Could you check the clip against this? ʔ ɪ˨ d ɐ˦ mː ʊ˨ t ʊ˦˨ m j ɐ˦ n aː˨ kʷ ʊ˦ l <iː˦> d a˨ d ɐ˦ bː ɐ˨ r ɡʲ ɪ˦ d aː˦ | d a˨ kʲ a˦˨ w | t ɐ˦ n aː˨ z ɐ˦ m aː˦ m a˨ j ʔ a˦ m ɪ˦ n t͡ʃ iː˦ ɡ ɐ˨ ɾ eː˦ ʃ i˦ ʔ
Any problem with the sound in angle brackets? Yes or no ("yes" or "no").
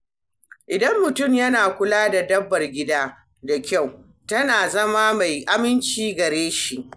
yes